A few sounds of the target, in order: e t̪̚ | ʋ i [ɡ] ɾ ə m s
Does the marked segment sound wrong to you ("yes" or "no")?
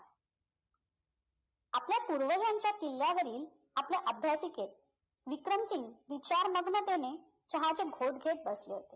yes